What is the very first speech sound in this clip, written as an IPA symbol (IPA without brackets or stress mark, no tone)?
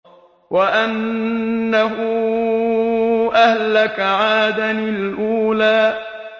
w